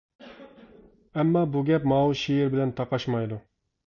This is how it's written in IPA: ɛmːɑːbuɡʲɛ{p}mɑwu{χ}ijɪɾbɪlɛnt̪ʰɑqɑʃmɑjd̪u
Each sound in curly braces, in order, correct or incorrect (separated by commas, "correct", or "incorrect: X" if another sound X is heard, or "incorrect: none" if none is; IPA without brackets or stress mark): correct, incorrect: ʃ